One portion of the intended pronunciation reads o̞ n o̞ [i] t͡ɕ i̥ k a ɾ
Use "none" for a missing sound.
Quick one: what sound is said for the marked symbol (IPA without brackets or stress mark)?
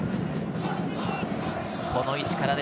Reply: i